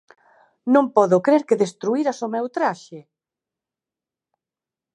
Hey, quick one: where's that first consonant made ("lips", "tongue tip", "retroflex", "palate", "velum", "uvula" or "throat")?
tongue tip